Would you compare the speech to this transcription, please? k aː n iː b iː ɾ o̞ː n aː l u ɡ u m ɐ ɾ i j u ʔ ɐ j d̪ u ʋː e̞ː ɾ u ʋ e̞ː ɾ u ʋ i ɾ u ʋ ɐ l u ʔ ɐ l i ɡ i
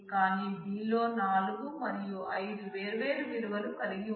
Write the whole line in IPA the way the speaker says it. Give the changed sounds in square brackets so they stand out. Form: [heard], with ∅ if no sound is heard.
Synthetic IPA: k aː n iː b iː [l] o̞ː n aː l u ɡ u m ɐ ɾ i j u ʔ ɐ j d̪ u [ʋ] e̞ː ɾ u ʋ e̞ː ɾ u ʋ i ɾ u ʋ ɐ l u [k] ɐ l i ɡ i